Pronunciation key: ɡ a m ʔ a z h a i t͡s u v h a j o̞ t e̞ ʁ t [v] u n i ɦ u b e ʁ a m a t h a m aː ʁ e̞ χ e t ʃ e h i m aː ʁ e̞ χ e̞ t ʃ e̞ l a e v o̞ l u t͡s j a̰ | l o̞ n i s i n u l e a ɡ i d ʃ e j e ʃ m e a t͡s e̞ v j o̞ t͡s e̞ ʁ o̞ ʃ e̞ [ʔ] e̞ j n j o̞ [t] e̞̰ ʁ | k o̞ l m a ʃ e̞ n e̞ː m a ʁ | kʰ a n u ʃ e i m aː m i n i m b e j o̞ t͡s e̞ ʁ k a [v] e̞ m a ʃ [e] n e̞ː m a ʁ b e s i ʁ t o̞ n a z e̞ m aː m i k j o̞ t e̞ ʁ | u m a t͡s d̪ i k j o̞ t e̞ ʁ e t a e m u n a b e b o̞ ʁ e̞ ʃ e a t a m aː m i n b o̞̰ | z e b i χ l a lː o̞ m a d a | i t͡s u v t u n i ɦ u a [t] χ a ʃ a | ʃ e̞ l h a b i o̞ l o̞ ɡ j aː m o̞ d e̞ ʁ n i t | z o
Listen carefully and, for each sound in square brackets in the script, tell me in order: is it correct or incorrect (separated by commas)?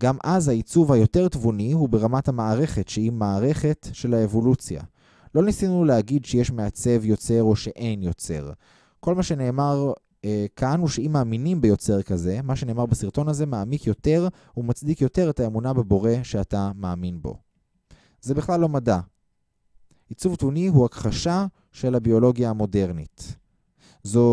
correct, correct, incorrect, incorrect, correct, incorrect